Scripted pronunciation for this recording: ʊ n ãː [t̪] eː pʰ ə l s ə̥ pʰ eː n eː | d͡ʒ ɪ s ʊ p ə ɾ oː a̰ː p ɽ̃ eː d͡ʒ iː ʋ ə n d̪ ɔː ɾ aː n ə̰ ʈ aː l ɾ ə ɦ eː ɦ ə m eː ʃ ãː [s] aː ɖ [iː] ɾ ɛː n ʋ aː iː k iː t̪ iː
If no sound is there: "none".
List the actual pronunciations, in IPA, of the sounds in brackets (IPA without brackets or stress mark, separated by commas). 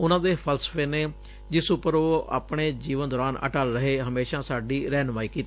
d̪, s, iː